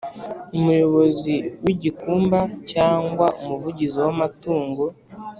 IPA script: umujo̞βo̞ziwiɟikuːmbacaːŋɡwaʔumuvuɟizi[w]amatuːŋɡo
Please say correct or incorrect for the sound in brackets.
correct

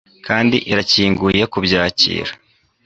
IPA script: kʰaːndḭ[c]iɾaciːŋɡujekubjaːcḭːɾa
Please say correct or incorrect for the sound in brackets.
incorrect: ʔ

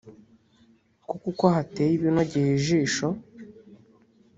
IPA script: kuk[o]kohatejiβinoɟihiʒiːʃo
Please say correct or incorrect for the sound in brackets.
incorrect: u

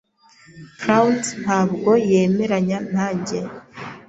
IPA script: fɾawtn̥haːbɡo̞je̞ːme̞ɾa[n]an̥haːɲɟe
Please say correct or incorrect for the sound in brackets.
incorrect: ɲ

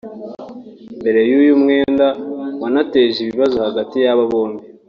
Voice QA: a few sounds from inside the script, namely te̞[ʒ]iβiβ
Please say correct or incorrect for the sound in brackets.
correct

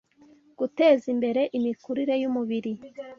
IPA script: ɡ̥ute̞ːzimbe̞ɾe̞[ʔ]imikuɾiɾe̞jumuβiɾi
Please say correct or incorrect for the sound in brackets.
correct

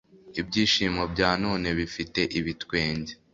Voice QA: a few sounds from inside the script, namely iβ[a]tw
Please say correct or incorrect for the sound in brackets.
incorrect: i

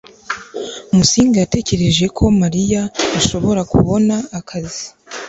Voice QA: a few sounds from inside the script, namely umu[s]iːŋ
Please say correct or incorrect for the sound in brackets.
correct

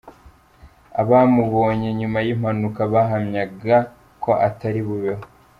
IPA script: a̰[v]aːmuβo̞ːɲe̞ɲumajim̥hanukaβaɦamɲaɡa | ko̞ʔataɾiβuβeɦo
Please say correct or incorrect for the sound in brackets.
incorrect: β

